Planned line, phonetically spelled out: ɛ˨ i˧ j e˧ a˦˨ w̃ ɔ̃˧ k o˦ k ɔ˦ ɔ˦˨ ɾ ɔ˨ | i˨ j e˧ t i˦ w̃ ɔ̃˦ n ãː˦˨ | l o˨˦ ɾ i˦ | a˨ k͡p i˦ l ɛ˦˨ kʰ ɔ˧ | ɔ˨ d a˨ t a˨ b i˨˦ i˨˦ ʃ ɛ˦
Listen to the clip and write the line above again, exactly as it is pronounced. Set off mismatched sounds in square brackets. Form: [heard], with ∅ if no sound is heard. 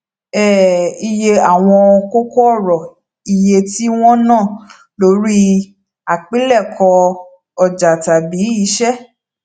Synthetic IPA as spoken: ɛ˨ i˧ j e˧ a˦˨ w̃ ɔ̃˧ k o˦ k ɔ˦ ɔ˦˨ ɾ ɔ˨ | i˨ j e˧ t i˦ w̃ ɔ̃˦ n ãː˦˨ | l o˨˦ ɾ i˦ | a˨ k͡p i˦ l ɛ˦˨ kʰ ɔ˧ | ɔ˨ [d͡ʒ] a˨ t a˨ b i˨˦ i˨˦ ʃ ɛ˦